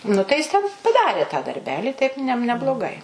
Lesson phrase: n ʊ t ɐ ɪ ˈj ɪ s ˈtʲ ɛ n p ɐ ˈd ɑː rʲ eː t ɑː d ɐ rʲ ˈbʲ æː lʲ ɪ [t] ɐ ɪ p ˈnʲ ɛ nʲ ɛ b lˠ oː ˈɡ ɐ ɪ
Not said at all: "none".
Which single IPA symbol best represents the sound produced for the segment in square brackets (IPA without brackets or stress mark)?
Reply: t